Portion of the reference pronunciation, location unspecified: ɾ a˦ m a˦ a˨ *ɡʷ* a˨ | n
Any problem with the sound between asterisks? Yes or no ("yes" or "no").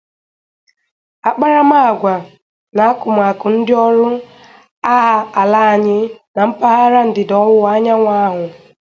no